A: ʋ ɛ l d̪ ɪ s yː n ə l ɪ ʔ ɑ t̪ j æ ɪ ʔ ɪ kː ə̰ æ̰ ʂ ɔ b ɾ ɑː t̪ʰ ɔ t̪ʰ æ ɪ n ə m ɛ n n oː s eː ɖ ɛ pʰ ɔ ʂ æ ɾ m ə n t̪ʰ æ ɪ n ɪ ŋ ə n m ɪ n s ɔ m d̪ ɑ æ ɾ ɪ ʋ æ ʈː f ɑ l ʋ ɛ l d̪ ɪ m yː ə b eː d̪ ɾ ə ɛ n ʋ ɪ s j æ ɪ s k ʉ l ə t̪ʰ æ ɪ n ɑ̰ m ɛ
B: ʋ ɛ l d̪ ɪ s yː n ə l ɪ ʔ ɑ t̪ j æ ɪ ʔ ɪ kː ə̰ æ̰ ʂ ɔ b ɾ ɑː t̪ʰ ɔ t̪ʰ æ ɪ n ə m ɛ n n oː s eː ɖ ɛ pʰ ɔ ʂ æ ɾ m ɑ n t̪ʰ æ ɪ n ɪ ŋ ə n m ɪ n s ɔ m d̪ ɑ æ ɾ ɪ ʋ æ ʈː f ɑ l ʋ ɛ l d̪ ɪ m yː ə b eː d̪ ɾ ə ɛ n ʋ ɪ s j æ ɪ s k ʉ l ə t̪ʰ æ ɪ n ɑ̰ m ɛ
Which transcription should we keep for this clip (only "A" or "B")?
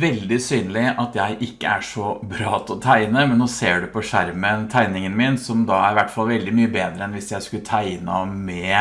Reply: A